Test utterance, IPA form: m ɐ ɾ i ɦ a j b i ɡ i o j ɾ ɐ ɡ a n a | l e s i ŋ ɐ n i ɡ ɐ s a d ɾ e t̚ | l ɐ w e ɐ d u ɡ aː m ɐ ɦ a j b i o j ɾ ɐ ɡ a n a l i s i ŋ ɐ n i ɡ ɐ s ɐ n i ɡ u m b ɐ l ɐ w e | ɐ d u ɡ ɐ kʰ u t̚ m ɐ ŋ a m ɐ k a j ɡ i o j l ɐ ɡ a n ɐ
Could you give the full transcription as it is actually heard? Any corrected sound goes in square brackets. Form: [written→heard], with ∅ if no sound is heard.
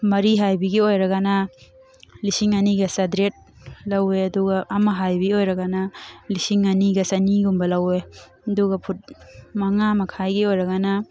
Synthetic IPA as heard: m ɐ ɾ i ɦ a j b i ɡ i o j ɾ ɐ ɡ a n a | l [e→i] s i ŋ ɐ n i ɡ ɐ s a d ɾ e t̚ | l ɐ w e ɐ d u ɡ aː m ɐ ɦ a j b i o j ɾ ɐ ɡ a n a l i s i ŋ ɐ n i ɡ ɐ s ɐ n i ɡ u m b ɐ l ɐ w e | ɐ d u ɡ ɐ [kʰ→pʰ] u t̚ m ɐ ŋ a m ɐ [k→kʰ] a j ɡ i o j [l→ɾ] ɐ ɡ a n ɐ

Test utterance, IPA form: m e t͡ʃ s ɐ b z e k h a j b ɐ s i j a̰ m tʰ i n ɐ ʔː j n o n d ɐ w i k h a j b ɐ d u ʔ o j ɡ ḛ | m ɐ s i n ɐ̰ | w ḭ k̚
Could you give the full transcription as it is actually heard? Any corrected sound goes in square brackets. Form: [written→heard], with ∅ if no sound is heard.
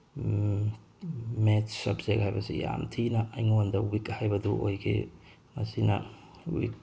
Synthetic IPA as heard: m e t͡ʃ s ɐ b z e k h a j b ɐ s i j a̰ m tʰ i n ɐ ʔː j [n→ŋ] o n d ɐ w i k h a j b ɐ d u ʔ o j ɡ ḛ | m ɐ s i n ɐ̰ | w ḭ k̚

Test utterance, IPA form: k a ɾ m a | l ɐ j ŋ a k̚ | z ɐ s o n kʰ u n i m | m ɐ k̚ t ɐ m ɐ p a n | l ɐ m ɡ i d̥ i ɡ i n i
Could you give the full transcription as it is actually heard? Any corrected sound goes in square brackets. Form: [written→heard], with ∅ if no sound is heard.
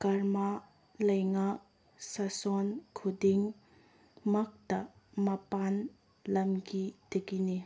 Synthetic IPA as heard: k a ɾ m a | l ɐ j ŋ a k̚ | [z→s] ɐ s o n kʰ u [n→d] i [m→ŋ] | m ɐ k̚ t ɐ m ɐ p a n | l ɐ m ɡ i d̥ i ɡ i n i

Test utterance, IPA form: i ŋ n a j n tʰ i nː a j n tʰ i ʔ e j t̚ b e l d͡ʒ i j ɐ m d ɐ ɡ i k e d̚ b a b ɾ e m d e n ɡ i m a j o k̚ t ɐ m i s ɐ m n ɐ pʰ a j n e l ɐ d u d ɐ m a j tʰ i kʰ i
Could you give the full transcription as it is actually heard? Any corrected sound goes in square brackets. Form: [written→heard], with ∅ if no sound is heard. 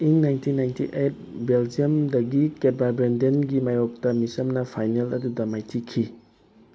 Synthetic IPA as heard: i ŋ n a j n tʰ i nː a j n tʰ i ʔ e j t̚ b e l d͡ʒ i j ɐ m d ɐ ɡ i k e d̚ b a b ɾ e [m→n] d e n ɡ i m a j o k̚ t ɐ m i s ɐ m n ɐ pʰ a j n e l ɐ d u d ɐ m a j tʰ i kʰ i

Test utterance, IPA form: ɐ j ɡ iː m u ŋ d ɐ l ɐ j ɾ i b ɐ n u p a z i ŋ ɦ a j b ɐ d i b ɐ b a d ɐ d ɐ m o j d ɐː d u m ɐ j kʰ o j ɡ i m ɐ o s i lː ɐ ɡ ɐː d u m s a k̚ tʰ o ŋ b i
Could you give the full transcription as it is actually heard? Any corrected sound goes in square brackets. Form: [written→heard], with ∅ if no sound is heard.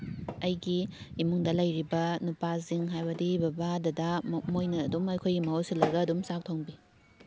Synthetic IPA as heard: ɐ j ɡ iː m u ŋ d ɐ l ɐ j ɾ i b ɐ n u p a z i ŋ ɦ a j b ɐ d i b ɐ b a d ɐ d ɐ m o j [d→n] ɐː d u m ɐ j kʰ o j ɡ i m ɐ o s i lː ɐ ɡ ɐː d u m s a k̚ tʰ o ŋ b i

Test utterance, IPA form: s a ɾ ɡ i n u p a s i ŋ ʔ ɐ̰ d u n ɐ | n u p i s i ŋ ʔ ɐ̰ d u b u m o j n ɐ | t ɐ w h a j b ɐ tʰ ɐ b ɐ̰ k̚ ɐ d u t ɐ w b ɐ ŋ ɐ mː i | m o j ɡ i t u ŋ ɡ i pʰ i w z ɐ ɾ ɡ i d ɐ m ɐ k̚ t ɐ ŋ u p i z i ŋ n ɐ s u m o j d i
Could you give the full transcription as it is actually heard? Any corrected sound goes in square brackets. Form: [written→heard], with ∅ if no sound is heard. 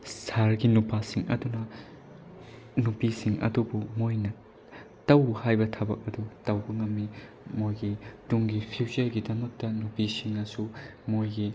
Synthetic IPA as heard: s a ɾ ɡ i n u p a s i ŋ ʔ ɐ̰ d u n ɐ | n u p i s i ŋ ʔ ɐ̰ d u b u m o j n ɐ | t ɐ w h a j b ɐ tʰ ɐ b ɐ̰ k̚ ɐ d u t ɐ w b ɐ ŋ ɐ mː i | m o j ɡ i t u ŋ ɡ i pʰ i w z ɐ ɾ ɡ i d ɐ m ɐ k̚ t ɐ [ŋ→n] u p i [z→s] i ŋ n ɐ s u m o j [d→ɡ] i

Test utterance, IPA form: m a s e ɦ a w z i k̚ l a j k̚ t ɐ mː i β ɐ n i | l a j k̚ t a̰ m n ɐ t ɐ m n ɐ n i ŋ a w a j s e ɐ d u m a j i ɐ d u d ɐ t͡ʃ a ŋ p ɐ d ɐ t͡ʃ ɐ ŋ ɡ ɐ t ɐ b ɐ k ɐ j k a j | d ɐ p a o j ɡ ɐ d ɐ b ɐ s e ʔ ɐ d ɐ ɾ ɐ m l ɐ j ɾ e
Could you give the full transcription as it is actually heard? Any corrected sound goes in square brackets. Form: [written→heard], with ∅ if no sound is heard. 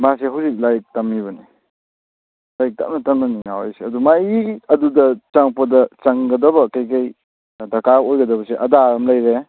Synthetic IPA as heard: m a s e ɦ a w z i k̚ l a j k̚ t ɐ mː i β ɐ n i | l a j k̚ t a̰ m n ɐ t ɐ m n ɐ n i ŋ a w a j s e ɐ d u m a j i ɐ d u d ɐ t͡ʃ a ŋ p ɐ d ɐ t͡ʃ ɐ ŋ ɡ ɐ [t→d] ɐ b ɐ k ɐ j k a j | d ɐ [p→k] a o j ɡ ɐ d ɐ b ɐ s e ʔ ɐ d [ɐ→a] ɾ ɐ m l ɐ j ɾ e

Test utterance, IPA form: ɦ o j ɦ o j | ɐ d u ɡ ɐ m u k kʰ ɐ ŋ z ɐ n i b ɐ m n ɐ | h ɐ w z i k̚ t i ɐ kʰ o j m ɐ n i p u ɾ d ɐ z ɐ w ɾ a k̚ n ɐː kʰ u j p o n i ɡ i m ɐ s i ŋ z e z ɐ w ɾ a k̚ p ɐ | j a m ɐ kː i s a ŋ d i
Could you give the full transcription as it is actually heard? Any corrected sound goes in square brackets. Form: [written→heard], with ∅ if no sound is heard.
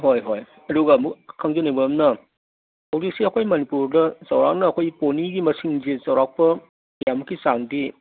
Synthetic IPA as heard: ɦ o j ɦ o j | ɐ d u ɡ ɐ m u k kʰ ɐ ŋ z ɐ n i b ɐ m n ɐ | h ɐ w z i k̚ [t→s] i ɐ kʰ o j m ɐ n i p u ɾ d ɐ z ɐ w ɾ a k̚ n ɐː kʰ [u→o] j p o n i ɡ i m ɐ s i ŋ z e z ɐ w ɾ a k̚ p ɐ | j a m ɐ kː i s a ŋ d i

